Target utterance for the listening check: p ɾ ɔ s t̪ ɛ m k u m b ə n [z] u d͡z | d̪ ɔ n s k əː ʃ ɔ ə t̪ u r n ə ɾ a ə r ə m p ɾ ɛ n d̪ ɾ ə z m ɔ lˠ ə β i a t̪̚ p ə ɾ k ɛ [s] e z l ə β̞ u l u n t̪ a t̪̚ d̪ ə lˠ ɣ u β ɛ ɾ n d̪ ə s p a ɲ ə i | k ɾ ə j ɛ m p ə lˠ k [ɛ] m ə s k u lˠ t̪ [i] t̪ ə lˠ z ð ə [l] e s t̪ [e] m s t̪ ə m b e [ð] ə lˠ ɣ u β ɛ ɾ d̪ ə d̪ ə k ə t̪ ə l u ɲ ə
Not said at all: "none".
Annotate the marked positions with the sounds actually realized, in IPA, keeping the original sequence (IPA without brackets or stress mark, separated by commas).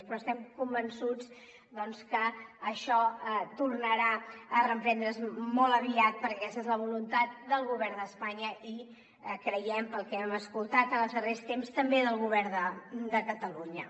s, s, ɛ, a, r, e, ð